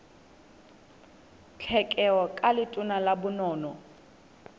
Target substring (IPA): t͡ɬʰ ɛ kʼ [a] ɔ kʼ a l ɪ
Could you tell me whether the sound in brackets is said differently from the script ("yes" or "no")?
yes